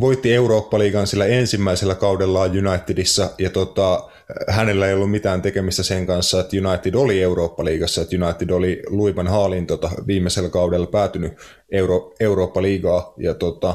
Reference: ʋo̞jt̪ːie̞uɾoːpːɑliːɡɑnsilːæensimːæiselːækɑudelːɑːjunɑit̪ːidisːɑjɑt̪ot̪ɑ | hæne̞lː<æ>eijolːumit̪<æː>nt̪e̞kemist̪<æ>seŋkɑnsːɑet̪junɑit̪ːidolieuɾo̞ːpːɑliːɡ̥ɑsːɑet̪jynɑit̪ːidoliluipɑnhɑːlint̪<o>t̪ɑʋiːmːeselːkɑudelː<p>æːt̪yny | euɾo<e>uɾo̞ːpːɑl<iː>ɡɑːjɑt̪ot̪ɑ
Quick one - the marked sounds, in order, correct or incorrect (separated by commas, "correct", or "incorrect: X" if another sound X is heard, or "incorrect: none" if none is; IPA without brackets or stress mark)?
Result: correct, correct, correct, correct, correct, correct, correct